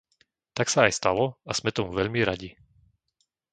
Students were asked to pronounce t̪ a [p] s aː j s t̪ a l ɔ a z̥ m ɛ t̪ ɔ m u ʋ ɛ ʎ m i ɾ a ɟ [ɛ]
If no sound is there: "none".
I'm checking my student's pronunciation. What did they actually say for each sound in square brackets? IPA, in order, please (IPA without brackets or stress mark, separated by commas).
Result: k, i